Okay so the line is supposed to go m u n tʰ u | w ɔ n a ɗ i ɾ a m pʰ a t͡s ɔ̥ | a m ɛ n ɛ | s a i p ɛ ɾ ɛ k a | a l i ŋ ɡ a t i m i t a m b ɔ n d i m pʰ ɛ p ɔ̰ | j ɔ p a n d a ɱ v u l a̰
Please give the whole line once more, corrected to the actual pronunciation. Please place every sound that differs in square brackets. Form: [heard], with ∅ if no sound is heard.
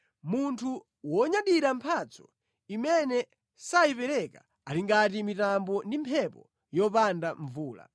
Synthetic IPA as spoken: m u n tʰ u | w ɔ [ɲ] a ɗ i ɾ a m pʰ a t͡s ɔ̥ | [i] m ɛ n ɛ | s a i p ɛ ɾ ɛ k a | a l i ŋ ɡ a t i m i t a m b ɔ n d i m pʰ ɛ p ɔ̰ | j ɔ p a n d a ɱ v [uː] l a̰